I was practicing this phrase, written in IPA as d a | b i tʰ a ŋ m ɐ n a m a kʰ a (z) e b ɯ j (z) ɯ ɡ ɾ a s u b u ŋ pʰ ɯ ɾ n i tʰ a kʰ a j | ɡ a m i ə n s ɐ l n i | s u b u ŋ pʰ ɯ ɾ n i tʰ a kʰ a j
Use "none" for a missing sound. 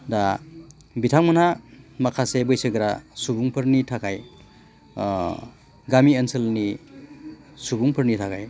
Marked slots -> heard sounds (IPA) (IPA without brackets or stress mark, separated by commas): s, s